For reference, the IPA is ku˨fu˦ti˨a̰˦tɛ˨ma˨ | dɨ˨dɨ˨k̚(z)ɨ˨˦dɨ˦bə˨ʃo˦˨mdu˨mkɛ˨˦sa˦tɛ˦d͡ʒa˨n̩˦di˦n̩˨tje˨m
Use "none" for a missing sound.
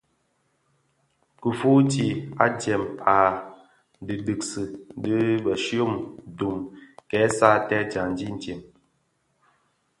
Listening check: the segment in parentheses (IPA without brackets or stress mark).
s